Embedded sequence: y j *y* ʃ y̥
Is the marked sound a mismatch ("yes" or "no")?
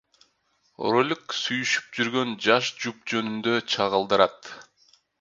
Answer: no